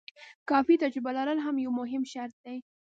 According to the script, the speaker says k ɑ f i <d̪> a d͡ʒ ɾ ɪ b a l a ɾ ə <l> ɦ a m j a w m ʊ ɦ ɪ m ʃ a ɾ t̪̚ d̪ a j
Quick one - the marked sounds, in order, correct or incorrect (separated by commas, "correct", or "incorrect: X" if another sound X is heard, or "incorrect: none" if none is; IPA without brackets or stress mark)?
incorrect: t̪, correct